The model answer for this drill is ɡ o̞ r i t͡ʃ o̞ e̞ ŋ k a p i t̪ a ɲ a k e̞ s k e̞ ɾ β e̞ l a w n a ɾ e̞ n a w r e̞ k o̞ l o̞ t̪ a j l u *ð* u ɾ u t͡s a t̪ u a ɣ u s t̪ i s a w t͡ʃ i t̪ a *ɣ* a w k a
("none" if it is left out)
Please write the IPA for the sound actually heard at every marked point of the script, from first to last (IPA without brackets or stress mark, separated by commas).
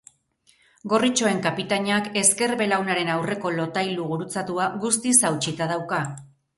ɣ, ð